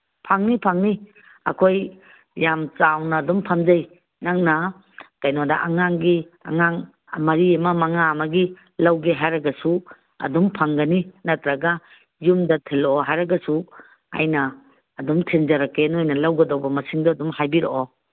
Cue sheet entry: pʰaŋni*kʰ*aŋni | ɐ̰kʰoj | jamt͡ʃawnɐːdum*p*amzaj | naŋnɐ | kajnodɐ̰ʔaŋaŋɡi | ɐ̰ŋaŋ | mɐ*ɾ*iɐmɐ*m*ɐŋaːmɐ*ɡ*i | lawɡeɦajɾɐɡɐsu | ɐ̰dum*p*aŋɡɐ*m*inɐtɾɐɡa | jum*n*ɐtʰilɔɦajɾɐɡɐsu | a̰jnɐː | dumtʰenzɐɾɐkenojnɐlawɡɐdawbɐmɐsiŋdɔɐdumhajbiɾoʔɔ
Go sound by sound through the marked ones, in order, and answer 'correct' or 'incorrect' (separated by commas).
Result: incorrect, incorrect, correct, correct, correct, incorrect, incorrect, incorrect